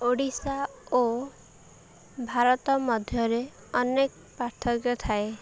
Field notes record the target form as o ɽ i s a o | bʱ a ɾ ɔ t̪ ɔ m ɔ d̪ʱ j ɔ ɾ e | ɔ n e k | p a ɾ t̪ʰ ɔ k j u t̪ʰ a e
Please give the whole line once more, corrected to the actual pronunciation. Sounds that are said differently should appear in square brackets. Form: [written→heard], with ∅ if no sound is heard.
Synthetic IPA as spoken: o ɽ i s a o | bʱ a ɾ ɔ t̪ ɔ m ɔ d̪ʱ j ɔ ɾ e | ɔ n e k | p a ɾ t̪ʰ ɔ k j [u→ɔ] t̪ʰ a e